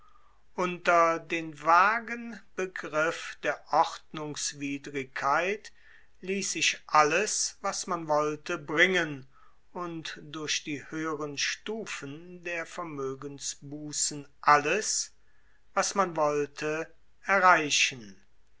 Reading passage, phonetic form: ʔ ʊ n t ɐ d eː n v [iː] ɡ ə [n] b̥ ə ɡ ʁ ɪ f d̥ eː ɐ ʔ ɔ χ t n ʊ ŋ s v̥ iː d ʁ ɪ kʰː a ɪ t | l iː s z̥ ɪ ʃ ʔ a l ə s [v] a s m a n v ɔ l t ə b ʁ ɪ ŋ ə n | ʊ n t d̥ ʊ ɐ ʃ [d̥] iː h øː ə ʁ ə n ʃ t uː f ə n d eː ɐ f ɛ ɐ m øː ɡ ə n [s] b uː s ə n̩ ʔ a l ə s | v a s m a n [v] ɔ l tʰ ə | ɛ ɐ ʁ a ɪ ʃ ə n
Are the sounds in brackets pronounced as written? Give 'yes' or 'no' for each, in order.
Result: no, yes, yes, yes, yes, yes

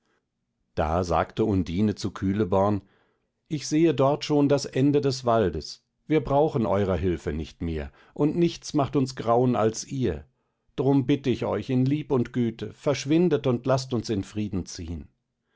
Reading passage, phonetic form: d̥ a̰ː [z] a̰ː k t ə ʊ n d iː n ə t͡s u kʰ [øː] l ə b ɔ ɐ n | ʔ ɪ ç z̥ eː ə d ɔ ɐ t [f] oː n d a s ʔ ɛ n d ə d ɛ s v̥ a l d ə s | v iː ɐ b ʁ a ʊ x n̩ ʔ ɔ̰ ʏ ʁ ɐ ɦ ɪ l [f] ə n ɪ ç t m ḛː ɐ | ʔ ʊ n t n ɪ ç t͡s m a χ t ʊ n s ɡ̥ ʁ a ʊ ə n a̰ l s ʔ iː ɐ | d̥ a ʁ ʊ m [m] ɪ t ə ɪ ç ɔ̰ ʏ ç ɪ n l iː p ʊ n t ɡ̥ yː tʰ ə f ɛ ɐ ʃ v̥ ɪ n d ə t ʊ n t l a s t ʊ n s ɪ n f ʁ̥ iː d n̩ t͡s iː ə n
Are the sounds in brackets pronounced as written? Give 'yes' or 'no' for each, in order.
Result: yes, no, no, yes, no

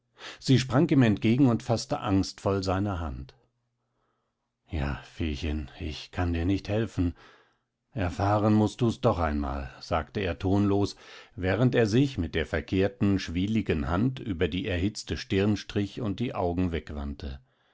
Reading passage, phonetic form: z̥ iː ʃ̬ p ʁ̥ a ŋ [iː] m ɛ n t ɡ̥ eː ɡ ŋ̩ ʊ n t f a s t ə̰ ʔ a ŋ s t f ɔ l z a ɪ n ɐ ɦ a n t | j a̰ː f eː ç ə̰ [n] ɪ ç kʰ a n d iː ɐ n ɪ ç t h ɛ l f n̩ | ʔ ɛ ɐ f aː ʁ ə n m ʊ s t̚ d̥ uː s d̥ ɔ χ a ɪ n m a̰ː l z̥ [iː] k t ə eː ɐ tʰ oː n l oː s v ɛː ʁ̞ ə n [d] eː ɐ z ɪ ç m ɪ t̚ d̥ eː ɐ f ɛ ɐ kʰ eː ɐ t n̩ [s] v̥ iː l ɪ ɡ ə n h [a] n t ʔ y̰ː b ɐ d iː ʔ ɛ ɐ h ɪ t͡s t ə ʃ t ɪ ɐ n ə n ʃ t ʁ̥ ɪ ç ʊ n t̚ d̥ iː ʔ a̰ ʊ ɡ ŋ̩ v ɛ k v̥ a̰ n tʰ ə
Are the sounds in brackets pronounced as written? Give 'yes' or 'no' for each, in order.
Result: yes, yes, no, no, no, yes

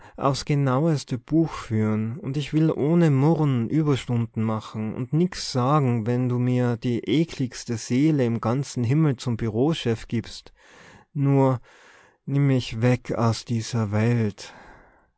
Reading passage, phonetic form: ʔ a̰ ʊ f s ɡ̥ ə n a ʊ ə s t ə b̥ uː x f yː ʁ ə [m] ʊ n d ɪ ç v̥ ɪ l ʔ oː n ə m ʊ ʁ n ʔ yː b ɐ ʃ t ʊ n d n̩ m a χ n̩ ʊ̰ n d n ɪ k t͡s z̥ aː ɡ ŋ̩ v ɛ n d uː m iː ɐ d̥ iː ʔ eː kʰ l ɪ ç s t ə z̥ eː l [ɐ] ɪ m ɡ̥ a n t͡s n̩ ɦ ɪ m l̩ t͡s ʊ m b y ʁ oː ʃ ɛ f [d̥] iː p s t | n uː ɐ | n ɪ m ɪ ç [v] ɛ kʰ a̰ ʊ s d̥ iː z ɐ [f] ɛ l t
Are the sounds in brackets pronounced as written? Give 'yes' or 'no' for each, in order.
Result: no, no, no, yes, no

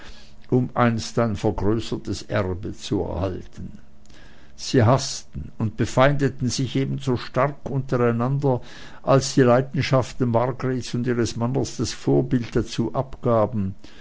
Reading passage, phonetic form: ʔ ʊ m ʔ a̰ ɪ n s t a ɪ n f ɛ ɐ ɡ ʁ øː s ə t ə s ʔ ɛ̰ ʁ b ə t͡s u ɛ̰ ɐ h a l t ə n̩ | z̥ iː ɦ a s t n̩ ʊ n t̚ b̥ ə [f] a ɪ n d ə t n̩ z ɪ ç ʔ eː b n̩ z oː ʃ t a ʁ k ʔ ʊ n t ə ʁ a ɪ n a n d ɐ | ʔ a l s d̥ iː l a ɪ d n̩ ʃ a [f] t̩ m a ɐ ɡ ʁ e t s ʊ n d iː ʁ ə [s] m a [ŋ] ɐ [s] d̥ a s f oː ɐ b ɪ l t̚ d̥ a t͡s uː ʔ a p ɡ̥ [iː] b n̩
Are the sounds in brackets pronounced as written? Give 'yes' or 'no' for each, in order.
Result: yes, yes, yes, no, yes, no

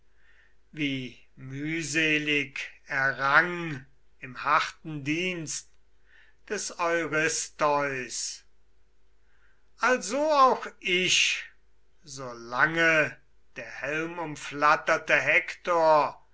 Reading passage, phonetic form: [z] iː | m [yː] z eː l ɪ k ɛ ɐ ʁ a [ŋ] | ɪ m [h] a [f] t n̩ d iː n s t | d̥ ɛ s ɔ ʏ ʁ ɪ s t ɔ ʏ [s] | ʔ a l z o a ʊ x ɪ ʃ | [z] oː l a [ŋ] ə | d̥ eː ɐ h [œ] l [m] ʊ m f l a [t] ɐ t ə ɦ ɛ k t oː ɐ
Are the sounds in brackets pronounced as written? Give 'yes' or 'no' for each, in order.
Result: no, yes, yes, yes, no, yes, yes, yes, no, yes, yes

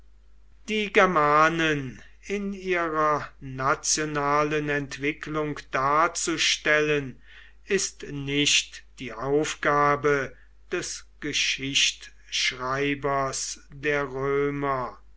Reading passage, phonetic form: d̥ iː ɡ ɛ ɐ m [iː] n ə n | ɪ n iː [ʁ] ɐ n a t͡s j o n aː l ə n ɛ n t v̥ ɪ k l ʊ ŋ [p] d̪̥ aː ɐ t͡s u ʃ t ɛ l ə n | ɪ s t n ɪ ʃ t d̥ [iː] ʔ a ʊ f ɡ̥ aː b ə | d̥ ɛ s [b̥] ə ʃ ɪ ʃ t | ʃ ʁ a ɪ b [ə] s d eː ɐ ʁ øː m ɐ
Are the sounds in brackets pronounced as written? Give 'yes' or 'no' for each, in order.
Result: no, yes, no, yes, no, no

